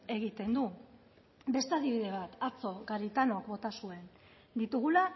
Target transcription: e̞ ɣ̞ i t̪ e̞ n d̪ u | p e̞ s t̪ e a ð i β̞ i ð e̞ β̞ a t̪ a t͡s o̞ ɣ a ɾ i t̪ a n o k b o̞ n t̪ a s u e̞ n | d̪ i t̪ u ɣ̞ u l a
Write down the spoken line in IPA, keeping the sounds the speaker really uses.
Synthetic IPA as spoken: e̞ ɣ̞ i t̪ e̞ n d̪ u | b e̞ s t̪ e a ð i β̞ i ð e̞ β̞ a t̪ a t͡s o̞ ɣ a ɾ i t̪ a n o k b o̞ t̪ a s u e̞ n | d̪ i t̪ u ɣ̞ u l a